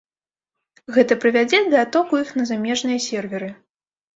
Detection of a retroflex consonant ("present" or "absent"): present